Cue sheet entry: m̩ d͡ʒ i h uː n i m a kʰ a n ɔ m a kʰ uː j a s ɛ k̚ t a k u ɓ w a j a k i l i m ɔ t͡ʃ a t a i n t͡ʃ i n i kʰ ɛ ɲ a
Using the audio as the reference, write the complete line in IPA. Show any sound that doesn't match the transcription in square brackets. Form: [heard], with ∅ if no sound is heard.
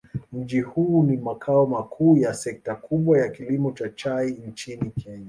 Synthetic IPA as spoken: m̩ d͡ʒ i h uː n i m a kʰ a [∅] ɔ m a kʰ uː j a s ɛ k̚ t a k u ɓ w a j a k i l i m ɔ t͡ʃ a [t͡ʃ] a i n t͡ʃ i n i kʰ ɛ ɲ a